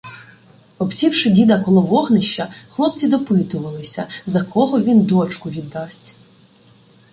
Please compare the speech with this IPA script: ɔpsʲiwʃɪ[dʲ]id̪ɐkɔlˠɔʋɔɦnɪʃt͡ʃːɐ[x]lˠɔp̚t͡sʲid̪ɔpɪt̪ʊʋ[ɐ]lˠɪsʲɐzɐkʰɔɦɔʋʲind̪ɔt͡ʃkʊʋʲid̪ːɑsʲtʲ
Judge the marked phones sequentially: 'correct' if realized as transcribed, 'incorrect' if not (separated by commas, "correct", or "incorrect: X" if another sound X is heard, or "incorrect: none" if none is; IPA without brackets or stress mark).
correct, correct, correct